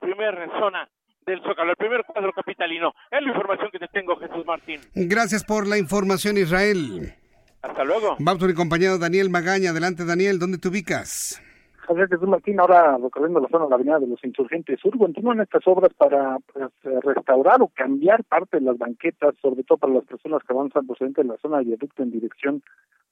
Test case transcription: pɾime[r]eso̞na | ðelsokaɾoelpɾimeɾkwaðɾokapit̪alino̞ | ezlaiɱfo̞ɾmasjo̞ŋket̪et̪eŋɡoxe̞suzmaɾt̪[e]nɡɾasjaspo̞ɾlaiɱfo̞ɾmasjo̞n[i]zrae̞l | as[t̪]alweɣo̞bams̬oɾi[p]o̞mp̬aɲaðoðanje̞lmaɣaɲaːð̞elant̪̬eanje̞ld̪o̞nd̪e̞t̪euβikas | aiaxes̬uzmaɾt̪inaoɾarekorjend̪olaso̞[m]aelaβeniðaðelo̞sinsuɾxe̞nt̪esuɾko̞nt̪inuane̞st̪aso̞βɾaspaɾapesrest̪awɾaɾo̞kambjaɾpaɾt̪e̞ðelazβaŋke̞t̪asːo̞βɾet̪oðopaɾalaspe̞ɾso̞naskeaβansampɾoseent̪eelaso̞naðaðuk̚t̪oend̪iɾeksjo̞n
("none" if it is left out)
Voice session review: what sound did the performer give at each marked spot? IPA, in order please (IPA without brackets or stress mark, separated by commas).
ɾ, i, i, t̪, k, n